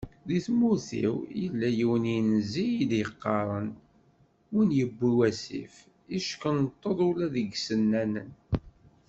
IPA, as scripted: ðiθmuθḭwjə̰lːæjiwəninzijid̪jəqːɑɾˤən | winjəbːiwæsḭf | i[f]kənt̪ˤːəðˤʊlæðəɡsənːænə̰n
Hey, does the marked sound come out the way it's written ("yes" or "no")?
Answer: no